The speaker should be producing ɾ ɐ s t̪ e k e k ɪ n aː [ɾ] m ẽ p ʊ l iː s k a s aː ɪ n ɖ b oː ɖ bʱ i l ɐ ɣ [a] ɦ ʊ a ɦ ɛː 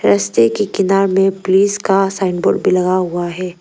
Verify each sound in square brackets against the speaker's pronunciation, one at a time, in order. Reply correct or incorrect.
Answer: correct, correct

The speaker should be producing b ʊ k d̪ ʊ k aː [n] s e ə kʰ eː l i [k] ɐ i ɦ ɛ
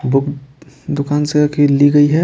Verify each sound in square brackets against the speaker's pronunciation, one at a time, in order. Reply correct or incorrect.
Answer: correct, incorrect: ɡ

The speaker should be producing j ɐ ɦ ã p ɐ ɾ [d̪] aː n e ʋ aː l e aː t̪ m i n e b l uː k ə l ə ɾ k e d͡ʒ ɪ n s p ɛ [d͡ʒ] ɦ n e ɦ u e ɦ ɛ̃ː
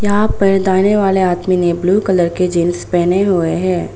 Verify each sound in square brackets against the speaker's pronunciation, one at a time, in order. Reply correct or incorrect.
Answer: correct, incorrect: none

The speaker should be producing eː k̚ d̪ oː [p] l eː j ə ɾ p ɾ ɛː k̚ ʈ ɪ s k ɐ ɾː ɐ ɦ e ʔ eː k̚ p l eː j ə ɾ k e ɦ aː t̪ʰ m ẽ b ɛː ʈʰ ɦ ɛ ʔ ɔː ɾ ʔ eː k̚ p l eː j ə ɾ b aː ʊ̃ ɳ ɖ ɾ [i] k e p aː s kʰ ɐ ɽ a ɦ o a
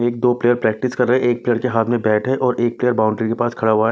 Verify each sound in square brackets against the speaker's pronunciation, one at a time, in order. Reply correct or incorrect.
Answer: correct, correct

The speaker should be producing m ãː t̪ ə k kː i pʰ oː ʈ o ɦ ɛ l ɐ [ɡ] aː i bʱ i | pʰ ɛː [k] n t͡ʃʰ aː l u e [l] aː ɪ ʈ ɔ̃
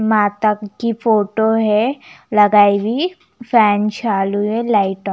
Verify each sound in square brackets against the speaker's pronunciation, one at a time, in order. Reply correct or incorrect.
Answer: correct, incorrect: none, correct

